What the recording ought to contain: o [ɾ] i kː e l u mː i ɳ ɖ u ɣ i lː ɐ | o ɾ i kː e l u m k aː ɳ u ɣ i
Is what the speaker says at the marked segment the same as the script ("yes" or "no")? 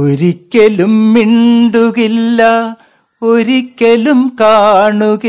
yes